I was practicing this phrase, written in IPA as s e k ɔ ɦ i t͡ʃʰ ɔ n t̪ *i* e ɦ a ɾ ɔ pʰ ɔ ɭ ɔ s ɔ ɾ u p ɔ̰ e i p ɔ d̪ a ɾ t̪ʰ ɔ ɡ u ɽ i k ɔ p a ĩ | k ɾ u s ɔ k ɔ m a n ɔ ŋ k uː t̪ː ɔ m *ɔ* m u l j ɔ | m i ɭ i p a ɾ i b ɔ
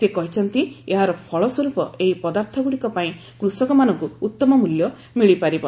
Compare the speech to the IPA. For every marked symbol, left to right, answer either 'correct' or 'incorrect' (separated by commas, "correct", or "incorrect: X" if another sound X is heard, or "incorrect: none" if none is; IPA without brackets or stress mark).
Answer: correct, correct